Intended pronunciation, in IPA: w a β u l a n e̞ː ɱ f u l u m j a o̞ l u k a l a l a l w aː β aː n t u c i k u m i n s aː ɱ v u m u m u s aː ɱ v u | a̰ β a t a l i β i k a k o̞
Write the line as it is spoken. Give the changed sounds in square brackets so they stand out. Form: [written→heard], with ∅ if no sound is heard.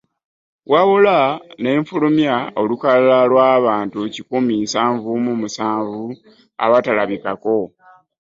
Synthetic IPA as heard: w a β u l a n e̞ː ɱ f u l u m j a o̞ l u k a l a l a l w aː β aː n t u c i k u m i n s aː ɱ v u m u m u s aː ɱ v u | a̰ β a t a l [i→a] β i k a k o̞